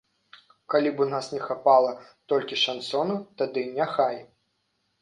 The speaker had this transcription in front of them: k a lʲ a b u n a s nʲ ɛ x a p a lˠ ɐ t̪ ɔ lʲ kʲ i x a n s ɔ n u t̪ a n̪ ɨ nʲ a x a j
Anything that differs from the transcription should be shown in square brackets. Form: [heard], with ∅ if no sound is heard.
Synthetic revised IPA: k a lʲ [i] b u n a s nʲ ɛ x a p a lˠ ɐ t̪ ɔ lʲ kʲ i [ʂ] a n s ɔ n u t̪ a [d̪] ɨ nʲ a x a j